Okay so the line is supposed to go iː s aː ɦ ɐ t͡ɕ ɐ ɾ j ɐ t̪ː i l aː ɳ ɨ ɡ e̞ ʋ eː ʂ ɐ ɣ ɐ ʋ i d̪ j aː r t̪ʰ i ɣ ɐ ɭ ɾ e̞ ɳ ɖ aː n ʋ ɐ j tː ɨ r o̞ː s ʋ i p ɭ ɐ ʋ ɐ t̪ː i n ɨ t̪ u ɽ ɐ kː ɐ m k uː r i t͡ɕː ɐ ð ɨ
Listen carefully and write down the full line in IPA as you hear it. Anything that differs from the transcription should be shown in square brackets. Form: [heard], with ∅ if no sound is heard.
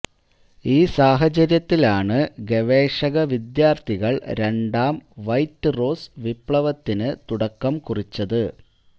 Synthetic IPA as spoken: iː s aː ɦ ɐ t͡ɕ ɐ ɾ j ɐ t̪ː i l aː ɳ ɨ ɡ e̞ ʋ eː ʂ ɐ ɣ ɐ ʋ i d̪ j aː r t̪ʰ i ɣ ɐ ɭ ɾ e̞ ɳ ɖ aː [m] ʋ ɐ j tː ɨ r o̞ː s ʋ i p ɭ ɐ ʋ ɐ t̪ː i n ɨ t̪ u ɽ ɐ kː ɐ m k [u] r i t͡ɕː ɐ ð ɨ